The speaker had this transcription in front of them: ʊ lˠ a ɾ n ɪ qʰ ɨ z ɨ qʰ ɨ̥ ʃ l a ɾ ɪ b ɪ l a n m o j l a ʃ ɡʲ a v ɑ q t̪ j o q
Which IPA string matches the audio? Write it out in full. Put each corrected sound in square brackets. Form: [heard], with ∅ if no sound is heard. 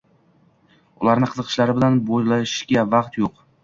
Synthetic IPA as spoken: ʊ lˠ a ɾ n ɪ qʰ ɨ z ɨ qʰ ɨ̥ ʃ l a ɾ ɪ b ɪ l a n [b] o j l a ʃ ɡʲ a v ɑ q t̪ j o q